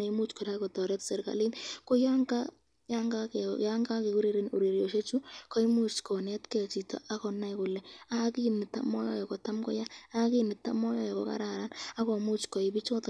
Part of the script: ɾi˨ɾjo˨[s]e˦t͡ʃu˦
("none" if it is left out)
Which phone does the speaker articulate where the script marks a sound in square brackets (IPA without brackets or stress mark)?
ʃ